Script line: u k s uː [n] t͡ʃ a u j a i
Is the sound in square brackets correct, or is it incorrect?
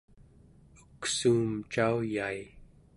incorrect